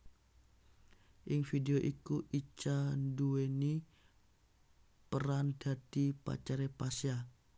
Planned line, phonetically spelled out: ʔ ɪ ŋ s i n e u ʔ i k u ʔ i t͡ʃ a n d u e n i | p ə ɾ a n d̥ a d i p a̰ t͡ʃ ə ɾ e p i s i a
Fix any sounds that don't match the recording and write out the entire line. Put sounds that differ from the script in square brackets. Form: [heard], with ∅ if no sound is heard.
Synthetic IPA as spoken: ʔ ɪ ŋ [f] i [d] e [o] ʔ i k u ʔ i t͡ʃ a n d u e n i | p ə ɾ a n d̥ a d i p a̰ t͡ʃ [a] ɾ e p [a] s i a